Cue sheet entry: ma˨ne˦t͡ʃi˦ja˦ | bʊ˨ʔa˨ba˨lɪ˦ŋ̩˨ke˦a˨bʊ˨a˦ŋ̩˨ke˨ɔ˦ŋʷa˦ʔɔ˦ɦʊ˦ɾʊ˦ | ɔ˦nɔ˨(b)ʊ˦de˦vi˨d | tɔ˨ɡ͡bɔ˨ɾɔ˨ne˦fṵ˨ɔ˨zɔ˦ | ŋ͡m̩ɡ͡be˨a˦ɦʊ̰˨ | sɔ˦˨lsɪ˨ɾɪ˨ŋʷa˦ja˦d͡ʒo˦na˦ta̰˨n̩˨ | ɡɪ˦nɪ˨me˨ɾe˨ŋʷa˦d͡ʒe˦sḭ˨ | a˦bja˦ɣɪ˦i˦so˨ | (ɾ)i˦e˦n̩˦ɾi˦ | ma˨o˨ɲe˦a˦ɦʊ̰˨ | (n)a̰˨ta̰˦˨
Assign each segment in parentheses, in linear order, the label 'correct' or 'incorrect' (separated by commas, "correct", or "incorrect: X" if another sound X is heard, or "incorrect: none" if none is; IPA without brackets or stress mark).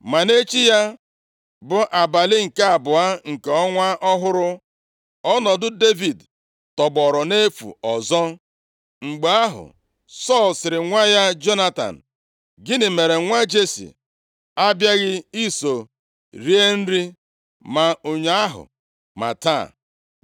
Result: incorrect: d, correct, incorrect: m